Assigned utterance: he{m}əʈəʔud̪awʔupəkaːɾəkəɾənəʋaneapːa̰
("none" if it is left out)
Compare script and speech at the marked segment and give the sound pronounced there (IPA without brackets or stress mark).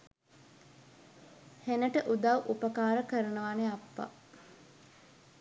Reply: n